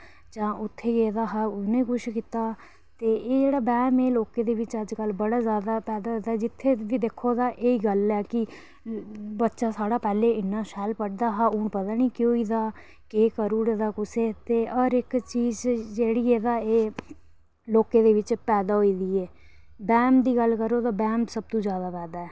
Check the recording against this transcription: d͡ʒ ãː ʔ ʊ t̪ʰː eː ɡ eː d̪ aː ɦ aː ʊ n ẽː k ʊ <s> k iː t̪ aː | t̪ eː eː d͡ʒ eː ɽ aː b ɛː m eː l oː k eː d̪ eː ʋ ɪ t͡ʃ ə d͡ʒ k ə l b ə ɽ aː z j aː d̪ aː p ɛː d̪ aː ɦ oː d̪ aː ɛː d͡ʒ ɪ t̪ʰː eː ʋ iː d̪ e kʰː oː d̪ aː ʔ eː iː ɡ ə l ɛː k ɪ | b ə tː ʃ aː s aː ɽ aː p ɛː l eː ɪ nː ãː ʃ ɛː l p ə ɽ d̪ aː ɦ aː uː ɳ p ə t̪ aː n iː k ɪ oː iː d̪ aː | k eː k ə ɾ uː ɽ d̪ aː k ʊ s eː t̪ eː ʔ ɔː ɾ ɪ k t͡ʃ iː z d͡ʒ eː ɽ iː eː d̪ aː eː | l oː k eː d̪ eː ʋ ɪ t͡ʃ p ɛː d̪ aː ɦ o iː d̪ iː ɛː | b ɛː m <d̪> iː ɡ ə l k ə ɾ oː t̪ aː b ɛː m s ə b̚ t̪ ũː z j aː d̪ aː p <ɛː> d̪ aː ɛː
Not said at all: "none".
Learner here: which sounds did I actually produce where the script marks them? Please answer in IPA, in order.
ʃ, d̪, ɛː

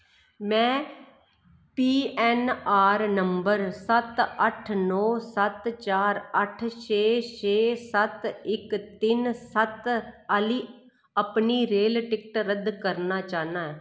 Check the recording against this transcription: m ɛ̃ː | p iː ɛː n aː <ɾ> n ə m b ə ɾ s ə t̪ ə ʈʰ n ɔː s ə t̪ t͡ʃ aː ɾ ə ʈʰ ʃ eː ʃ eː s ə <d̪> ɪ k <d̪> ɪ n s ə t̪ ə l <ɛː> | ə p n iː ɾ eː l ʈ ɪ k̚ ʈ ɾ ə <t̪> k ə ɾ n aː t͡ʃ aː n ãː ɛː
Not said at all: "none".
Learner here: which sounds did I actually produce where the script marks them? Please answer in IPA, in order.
ɾ, t̪, t̪, iː, d̪

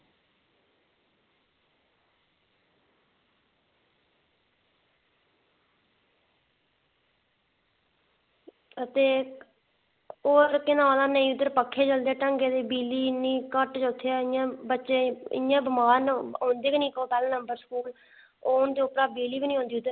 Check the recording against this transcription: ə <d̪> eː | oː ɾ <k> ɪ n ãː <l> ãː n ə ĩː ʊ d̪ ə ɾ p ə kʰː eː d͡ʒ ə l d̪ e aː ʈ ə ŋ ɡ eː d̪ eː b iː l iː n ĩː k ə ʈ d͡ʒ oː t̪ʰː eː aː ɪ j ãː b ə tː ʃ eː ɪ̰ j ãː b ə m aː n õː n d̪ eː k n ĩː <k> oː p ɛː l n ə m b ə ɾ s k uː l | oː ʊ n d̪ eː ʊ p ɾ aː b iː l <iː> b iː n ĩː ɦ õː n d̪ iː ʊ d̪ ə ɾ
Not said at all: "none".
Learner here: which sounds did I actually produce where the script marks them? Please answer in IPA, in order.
t̪, k, l, k, iː

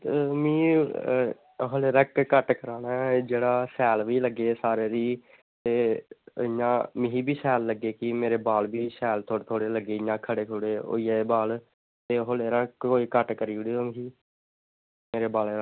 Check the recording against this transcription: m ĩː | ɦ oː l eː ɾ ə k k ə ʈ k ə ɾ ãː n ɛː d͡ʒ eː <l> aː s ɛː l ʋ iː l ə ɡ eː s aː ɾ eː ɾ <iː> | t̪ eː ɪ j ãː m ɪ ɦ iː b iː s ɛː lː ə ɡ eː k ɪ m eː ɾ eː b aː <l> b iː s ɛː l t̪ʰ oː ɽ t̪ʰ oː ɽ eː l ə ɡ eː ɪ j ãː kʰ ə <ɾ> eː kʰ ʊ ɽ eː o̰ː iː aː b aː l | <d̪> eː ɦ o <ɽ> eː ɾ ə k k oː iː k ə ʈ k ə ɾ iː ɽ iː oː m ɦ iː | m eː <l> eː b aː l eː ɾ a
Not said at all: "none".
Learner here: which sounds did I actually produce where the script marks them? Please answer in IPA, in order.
ɽ, iː, l, ɽ, t̪, l, ɾ

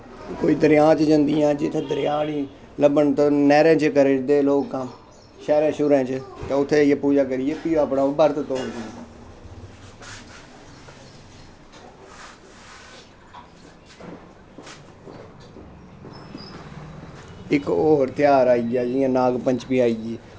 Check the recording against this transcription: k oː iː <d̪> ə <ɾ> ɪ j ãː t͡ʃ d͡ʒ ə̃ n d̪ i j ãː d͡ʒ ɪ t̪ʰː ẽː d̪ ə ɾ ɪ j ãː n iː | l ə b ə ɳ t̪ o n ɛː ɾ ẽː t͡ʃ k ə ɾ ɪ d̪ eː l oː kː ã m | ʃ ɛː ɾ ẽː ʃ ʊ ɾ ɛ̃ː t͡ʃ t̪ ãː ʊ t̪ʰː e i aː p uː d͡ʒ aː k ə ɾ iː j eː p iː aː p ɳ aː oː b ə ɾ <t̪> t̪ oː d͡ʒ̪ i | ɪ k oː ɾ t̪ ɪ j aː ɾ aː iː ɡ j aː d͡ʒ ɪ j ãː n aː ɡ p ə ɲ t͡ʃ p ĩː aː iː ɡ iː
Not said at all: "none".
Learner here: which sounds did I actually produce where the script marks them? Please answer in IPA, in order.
d̪, ɾ, t̪

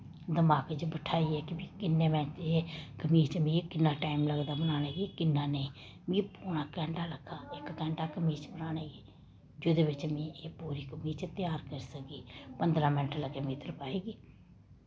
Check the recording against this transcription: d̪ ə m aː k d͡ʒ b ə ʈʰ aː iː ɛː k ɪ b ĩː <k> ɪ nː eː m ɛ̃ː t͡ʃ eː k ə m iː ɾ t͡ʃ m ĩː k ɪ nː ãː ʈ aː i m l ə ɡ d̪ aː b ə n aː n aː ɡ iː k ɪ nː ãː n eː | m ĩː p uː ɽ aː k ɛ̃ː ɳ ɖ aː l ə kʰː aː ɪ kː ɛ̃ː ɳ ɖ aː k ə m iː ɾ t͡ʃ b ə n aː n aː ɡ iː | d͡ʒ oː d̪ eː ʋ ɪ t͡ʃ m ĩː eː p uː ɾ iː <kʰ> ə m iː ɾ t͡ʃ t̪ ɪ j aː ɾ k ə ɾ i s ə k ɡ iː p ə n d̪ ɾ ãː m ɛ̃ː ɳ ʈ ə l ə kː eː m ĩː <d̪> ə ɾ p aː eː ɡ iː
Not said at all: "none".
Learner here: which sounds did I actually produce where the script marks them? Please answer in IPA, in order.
k, k, t̪

